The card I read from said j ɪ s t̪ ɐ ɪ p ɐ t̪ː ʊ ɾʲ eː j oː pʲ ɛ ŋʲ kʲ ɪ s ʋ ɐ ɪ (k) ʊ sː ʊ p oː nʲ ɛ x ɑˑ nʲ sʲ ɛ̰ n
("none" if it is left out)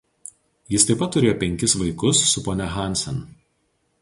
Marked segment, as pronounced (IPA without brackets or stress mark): k